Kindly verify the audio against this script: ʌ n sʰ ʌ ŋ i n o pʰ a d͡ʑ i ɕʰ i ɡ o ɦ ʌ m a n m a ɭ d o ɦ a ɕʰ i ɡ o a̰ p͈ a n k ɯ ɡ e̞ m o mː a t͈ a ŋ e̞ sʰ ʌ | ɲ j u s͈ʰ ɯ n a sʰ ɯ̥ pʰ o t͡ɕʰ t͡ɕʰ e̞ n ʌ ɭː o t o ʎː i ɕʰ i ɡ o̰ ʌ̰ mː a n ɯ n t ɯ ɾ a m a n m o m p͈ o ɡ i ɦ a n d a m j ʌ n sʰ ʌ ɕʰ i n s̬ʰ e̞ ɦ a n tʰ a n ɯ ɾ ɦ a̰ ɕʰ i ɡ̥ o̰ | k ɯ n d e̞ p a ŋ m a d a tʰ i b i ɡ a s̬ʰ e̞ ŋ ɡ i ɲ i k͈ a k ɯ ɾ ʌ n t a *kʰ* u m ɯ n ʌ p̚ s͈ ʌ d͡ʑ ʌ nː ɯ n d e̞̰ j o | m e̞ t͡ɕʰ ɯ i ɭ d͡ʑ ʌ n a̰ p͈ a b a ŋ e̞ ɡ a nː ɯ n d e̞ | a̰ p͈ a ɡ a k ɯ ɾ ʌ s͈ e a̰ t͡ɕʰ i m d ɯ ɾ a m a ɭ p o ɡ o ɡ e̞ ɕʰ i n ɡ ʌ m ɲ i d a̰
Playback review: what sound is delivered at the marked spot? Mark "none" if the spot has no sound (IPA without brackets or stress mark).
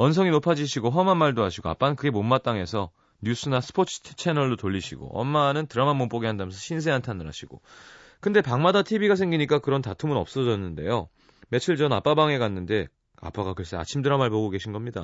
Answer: tʰ